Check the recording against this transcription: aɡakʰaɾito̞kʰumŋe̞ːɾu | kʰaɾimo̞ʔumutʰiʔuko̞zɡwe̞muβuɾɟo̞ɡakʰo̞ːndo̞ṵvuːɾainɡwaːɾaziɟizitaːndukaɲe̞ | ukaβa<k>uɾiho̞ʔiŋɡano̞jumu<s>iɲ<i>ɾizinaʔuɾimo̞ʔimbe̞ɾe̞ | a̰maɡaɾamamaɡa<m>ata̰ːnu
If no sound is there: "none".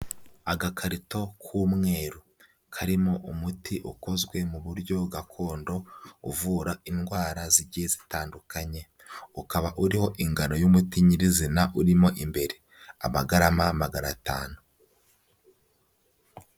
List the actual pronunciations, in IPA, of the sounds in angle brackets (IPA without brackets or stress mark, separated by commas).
ʔ, t, i, n